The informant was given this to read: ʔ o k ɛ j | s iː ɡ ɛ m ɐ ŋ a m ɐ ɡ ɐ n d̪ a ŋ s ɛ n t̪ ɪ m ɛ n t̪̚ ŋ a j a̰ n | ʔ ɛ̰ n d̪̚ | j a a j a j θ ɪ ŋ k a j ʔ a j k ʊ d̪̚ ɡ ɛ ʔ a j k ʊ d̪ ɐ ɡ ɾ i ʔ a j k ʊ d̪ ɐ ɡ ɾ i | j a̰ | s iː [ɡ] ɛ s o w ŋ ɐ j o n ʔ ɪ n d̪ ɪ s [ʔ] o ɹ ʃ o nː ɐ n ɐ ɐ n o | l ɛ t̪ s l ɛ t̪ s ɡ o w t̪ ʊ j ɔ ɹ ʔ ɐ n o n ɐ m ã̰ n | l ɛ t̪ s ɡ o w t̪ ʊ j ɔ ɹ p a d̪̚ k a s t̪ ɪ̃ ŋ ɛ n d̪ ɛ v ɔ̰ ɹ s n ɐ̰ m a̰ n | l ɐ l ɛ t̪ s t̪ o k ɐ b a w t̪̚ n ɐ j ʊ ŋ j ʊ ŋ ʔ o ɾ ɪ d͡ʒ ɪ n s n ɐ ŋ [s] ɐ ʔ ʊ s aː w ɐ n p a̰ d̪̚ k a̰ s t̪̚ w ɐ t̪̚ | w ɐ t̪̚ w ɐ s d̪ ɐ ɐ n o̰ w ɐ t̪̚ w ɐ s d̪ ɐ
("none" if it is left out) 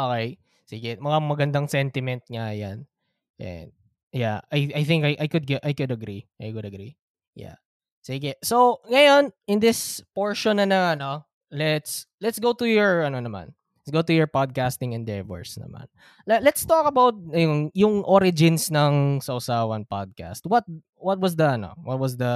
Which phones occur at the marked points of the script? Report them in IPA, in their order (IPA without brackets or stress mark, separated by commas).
ɡ, p, s